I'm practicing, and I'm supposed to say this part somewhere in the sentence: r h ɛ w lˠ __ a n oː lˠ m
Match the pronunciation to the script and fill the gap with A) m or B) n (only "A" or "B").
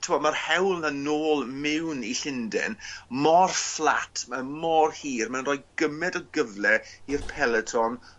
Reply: B